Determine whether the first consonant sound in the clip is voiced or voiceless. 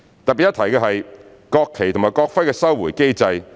voiceless